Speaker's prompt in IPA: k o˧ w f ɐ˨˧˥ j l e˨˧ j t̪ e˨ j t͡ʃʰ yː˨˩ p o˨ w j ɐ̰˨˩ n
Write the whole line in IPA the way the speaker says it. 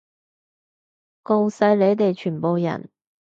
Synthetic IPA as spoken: k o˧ w s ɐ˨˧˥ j l e˨˧ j t̪ e˨ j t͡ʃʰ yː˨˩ p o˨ w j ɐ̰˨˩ n